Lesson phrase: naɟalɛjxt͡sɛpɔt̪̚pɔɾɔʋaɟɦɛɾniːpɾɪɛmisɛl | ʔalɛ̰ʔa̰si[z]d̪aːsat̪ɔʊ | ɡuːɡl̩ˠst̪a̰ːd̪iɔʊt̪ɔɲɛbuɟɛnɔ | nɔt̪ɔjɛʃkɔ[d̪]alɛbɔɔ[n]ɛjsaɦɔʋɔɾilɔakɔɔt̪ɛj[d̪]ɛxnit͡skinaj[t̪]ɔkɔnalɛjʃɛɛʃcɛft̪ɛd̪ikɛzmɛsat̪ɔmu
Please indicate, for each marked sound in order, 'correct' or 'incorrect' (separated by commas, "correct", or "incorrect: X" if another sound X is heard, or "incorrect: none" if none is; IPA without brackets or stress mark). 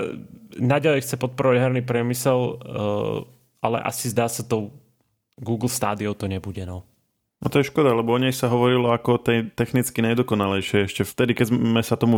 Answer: correct, correct, incorrect: ɲ, incorrect: t̪, incorrect: d̪